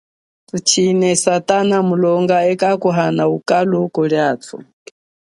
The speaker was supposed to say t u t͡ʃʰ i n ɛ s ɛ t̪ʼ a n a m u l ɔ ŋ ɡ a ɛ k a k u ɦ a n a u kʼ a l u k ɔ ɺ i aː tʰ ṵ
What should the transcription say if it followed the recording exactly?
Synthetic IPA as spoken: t u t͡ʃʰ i n ɛ s a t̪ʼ a n a m u l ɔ ŋ ɡ a ɛ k a k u ɦ a n a u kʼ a l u k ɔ ɺ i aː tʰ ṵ